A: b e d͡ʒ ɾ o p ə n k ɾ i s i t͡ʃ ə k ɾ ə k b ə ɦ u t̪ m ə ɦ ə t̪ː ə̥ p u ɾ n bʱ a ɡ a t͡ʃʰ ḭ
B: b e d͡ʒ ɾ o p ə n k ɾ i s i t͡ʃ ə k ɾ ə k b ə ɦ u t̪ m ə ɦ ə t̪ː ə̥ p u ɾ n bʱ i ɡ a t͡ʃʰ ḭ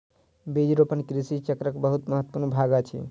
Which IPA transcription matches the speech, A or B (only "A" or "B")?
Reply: A